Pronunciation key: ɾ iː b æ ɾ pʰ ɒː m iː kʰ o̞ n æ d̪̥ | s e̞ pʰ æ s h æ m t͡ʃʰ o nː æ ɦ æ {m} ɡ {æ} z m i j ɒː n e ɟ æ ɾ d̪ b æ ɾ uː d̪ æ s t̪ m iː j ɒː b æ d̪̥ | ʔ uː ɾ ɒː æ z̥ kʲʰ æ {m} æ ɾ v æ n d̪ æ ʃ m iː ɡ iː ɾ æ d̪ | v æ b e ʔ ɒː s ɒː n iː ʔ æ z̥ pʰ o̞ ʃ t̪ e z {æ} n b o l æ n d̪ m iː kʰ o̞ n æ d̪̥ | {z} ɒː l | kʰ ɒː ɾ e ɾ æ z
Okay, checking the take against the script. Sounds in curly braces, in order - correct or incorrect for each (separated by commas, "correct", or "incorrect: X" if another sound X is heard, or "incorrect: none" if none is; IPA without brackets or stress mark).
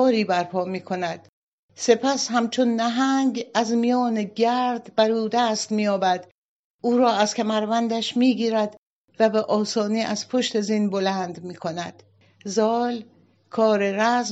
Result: incorrect: ŋ, correct, correct, incorrect: i, correct